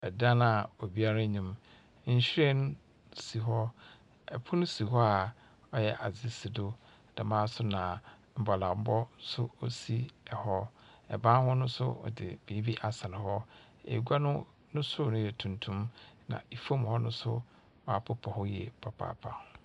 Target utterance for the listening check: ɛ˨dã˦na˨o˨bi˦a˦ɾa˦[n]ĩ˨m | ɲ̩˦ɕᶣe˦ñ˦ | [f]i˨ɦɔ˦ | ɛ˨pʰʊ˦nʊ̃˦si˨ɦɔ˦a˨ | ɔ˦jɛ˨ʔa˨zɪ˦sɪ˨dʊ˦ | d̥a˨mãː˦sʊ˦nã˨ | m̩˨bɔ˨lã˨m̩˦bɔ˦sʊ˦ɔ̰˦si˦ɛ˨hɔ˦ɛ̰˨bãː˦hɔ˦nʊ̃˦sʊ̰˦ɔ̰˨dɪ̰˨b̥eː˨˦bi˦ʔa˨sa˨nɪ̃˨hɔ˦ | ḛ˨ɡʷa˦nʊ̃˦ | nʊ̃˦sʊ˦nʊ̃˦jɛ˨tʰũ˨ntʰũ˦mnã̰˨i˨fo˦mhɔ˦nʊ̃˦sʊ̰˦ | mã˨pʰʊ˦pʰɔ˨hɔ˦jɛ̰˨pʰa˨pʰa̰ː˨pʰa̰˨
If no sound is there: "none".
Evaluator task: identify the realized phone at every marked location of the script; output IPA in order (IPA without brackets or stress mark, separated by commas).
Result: ɲ, s